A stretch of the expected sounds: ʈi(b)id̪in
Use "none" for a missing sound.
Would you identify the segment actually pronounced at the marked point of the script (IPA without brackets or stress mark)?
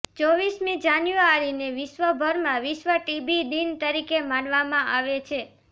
b